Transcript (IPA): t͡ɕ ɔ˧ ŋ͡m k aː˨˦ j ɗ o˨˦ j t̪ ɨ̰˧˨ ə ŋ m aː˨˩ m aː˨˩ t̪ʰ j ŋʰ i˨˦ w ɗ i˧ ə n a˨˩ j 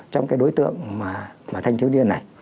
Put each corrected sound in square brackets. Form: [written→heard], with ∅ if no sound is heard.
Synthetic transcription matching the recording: t͡ɕ ɔ˧ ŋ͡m k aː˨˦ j ɗ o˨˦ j t̪ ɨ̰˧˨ ə ŋ m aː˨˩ m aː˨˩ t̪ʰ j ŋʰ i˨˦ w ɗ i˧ ə n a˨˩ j